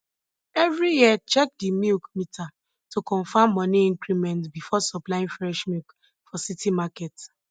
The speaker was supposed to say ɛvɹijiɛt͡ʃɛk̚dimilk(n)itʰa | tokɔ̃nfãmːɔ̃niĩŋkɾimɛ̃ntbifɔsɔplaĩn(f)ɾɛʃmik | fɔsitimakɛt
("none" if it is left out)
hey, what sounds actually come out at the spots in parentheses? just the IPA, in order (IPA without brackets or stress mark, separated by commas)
m, f